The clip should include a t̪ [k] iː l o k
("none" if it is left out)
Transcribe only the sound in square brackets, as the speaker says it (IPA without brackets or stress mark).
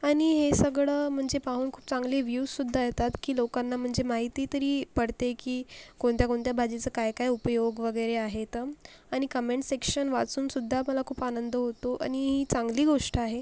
k